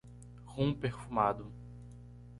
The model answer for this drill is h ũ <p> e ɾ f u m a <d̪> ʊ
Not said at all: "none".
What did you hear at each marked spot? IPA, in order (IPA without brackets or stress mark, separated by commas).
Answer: p, d̪